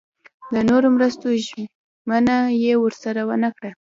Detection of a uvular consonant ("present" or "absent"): absent